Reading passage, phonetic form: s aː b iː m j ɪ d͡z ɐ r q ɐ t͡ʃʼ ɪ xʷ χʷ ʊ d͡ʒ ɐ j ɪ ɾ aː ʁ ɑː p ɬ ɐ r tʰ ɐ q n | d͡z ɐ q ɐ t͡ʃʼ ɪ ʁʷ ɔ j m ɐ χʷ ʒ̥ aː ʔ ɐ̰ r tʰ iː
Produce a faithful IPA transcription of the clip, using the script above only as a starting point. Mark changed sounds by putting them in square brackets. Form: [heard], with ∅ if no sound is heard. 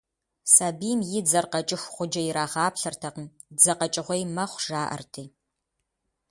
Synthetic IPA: s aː b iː m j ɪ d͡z ɐ r q ɐ t͡ʃʼ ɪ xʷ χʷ ʊ d͡ʒ ɐ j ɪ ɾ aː ʁ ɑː p ɬ ɐ r tʰ ɐ q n | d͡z ɐ q ɐ t͡ʃʼ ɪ ʁʷ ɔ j m ɐ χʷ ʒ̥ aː ʔ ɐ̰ r tʰ iː

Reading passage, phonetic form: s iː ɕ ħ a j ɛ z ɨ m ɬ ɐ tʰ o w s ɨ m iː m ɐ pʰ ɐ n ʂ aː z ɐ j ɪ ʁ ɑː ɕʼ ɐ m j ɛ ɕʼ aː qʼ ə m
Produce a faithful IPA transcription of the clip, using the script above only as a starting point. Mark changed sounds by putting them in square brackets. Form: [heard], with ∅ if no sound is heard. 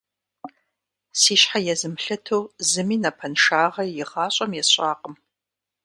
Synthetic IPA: s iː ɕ ħ a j ɛ z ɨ m ɬ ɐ tʰ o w [z] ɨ m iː [n] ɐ pʰ ɐ n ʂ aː [ʁ] ɐ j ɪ ʁ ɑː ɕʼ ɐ m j ɛ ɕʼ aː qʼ ə m

